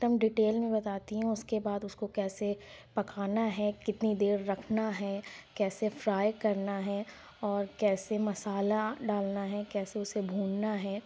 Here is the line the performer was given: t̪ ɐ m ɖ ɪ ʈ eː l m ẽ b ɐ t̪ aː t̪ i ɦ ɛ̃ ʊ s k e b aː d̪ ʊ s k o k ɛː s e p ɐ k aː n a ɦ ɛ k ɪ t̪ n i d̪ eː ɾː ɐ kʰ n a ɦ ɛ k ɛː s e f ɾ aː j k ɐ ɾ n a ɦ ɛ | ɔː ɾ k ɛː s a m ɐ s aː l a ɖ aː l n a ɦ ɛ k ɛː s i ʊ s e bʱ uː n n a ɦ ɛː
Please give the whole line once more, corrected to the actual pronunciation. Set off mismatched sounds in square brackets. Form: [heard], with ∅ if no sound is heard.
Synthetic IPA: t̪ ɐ m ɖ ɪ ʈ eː l m ẽ b ɐ t̪ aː t̪ i ɦ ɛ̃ ʊ s k e b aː d̪ ʊ s k o k ɛː s e p ɐ k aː n a ɦ ɛ k ɪ t̪ n i d̪ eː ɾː ɐ kʰ n a ɦ ɛ k ɛː s e f ɾ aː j k ɐ ɾ n a ɦ ɛ | ɔː ɾ k ɛː s [e] m ɐ s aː l a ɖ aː l n a ɦ ɛ k ɛː s [e] ʊ s e bʱ uː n n a ɦ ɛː